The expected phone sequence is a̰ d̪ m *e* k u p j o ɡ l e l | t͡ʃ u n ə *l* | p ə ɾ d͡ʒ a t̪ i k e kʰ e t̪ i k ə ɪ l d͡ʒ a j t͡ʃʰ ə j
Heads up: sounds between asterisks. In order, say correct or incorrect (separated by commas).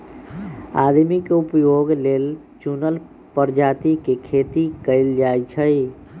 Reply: incorrect, correct